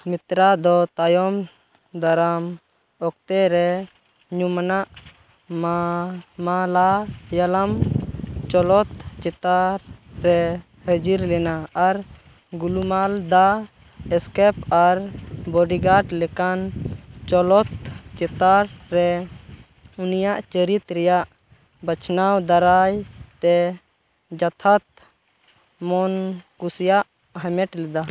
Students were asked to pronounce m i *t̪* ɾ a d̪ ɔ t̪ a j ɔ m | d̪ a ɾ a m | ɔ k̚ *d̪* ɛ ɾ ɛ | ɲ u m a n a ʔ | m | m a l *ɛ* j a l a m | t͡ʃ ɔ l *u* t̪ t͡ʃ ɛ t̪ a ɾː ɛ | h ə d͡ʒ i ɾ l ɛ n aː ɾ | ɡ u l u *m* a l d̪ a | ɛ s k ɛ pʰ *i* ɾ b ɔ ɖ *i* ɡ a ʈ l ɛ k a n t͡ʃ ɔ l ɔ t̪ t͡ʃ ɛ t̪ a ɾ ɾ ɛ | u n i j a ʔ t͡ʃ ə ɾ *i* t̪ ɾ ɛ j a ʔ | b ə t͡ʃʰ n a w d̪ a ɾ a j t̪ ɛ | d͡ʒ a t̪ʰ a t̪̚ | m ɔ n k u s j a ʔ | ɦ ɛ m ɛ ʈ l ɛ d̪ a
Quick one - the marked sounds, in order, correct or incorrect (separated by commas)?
correct, incorrect, incorrect, incorrect, correct, incorrect, correct, correct